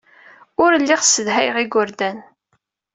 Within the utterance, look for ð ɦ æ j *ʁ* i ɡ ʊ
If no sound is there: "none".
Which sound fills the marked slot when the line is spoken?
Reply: ʁ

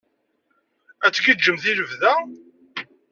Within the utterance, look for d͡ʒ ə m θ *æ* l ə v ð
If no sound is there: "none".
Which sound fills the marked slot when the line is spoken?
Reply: i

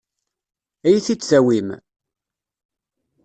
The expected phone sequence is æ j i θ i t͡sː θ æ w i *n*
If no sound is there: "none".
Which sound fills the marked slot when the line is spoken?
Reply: m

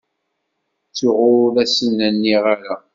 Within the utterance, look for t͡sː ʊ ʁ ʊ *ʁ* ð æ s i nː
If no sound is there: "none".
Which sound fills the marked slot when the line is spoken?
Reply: none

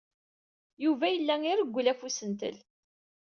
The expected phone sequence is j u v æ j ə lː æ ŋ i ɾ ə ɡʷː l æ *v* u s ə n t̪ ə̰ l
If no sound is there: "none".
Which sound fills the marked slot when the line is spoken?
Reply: f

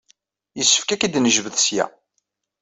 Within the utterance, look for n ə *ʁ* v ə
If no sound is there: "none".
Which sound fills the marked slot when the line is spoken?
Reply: ʒ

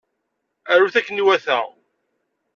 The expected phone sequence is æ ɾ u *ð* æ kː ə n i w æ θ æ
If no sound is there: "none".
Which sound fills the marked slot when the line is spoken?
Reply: θ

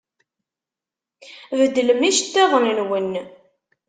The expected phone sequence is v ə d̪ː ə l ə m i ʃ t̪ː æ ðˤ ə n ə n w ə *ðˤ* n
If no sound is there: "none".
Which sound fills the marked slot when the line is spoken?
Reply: none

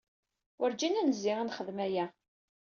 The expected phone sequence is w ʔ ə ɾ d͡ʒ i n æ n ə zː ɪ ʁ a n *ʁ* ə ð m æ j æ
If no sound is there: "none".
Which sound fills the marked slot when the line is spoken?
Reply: χ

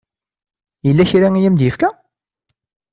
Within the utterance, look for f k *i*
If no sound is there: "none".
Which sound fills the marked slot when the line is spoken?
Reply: æ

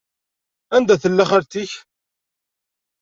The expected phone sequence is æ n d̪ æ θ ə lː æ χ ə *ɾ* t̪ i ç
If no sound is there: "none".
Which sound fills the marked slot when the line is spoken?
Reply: ɾ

